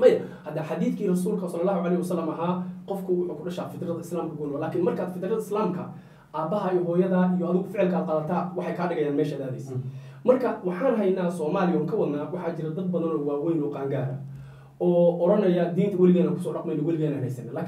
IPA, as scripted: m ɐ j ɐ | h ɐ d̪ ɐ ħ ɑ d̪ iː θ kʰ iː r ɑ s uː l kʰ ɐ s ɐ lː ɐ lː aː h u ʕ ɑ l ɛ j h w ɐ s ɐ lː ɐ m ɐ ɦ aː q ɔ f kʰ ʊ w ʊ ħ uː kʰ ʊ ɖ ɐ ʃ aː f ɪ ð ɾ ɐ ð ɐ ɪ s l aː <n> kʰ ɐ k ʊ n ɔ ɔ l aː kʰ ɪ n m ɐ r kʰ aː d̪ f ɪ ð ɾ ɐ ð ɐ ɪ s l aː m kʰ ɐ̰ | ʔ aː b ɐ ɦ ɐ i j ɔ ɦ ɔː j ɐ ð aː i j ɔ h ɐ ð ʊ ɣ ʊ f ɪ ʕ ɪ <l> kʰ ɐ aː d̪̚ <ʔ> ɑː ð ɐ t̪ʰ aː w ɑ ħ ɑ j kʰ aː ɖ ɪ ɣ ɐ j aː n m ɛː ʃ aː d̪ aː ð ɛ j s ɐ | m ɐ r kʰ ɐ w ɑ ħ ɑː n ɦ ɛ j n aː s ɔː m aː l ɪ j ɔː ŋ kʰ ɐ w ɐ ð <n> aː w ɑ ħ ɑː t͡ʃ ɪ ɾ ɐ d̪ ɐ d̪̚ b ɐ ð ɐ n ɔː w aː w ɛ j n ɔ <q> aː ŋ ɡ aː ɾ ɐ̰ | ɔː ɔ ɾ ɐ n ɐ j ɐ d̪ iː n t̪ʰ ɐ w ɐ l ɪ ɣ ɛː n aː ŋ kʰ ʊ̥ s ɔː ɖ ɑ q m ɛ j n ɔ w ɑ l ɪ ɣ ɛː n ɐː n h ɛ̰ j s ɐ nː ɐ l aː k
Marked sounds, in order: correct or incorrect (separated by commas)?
incorrect, correct, incorrect, correct, correct